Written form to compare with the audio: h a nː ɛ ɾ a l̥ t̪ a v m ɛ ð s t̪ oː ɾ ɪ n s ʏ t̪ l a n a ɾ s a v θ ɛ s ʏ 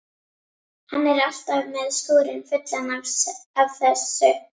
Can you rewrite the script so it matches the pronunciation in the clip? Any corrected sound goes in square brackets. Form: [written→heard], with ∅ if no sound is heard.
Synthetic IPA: h a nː ɛ ɾ a l̥ t̪ a v m ɛ ð s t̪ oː ɾ ɪ n [s→f] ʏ t̪ l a n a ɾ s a v θ ɛ s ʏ